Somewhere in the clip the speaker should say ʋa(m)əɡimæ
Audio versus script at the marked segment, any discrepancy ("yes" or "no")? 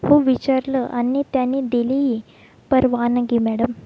yes